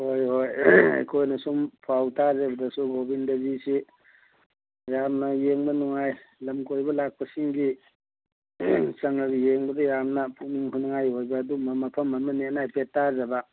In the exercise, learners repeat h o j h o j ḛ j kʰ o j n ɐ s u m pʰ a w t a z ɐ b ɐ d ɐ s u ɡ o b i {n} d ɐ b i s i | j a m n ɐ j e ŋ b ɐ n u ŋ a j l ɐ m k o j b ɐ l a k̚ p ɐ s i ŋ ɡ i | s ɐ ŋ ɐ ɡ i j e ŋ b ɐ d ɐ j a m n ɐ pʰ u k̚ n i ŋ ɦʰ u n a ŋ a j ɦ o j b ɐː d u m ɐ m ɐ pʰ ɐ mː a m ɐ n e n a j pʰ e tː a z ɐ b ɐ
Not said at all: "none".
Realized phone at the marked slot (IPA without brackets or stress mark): n